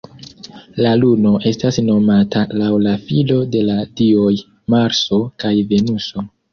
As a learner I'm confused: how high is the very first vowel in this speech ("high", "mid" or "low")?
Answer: low